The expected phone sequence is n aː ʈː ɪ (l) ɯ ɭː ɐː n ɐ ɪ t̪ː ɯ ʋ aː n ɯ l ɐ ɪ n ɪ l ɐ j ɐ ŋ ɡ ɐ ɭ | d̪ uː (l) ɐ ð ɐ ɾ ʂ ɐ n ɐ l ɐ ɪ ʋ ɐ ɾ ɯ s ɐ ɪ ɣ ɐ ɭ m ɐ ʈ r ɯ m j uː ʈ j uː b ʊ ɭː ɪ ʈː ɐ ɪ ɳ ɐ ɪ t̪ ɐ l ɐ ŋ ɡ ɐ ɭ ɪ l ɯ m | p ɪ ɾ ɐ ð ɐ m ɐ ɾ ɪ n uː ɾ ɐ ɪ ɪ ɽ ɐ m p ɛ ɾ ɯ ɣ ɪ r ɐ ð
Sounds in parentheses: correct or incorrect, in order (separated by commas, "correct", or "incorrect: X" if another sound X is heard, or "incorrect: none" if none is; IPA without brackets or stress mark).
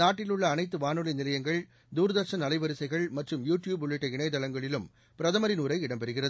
correct, incorrect: ɾ